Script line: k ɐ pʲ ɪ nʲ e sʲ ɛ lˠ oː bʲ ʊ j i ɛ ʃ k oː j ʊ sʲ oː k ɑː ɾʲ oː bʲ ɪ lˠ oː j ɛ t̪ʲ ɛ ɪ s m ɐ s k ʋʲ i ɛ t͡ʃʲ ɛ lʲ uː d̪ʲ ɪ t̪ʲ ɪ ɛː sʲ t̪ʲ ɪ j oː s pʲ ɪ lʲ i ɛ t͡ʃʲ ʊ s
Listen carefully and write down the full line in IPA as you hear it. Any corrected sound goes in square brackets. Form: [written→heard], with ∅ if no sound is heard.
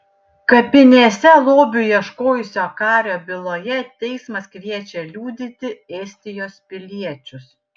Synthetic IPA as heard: k ɐ pʲ ɪ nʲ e sʲ ɛ lˠ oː bʲ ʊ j i ɛ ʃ k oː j ʊ sʲ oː k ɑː ɾʲ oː bʲ ɪ lˠ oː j ɛ t̪ʲ ɛ ɪ s m ɐ s k ʋʲ i ɛ t͡ʃʲ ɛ lʲ uː d̪ʲ ɪ t̪ʲ ɪ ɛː sʲ t̪ʲ ɪ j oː s pʲ ɪ lʲ i ɛ t͡ʃʲ ʊ s